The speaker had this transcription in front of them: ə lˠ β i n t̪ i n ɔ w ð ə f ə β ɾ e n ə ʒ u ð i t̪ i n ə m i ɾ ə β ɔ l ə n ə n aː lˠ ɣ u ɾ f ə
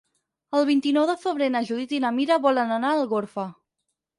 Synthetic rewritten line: ə lˠ β i n t̪ i n ɔ w ð ə f ə β ɾ e n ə ʒ u ð i t̪ i n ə m i ɾ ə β ɔ l ə n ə n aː lˠ ɣ o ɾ f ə